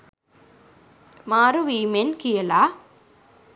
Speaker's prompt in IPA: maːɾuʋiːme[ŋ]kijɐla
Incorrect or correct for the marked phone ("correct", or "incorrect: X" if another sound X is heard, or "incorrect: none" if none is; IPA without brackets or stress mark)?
incorrect: n